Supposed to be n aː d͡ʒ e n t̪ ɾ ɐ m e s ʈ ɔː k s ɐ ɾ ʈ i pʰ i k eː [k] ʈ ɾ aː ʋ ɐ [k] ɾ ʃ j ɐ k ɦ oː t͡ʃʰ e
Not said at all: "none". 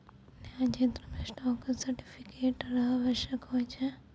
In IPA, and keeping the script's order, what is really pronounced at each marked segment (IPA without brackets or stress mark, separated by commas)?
none, none